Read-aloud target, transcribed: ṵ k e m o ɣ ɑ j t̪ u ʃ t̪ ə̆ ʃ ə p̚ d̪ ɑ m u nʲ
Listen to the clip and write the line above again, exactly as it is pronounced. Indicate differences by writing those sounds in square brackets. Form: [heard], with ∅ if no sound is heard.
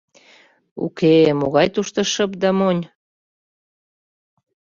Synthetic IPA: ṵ k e m o ɣ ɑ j t̪ u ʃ t̪ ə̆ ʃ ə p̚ d̪ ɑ m [o] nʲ